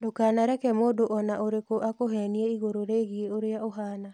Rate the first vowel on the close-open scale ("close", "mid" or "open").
mid